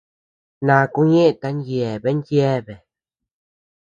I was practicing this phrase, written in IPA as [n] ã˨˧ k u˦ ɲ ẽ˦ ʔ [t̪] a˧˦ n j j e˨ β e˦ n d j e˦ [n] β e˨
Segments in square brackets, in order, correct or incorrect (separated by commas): correct, correct, incorrect